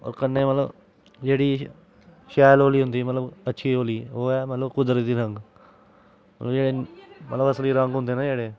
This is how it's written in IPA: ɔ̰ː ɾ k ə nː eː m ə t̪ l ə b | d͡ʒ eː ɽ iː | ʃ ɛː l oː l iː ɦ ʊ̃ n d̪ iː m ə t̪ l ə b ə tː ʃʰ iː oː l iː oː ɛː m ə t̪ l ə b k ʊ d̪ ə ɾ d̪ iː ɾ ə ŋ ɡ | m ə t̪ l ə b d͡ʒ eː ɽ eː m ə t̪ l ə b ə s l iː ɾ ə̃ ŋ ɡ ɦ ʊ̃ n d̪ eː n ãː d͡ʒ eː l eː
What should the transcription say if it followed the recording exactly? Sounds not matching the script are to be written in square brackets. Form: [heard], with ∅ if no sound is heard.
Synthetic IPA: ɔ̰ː ɾ k ə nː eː m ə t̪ l ə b | d͡ʒ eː ɽ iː | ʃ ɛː l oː l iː ɦ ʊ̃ n d̪ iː m ə t̪ l ə b ə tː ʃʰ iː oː l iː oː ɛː m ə t̪ l ə b k ʊ d̪ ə ɾ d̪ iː ɾ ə ŋ ɡ | m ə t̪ l ə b d͡ʒ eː ɽ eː m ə t̪ l ə b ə s l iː ɾ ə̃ ŋ ɡ ɦ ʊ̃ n d̪ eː n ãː d͡ʒ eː [ɽ] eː